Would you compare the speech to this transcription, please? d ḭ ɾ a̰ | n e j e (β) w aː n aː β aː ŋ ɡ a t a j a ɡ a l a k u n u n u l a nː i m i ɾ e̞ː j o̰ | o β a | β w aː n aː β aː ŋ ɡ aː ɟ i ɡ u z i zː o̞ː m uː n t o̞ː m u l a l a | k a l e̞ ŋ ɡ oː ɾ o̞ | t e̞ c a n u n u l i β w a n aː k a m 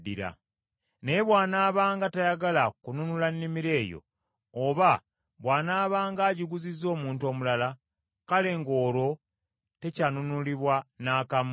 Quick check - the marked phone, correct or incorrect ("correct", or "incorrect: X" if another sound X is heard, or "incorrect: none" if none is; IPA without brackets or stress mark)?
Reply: correct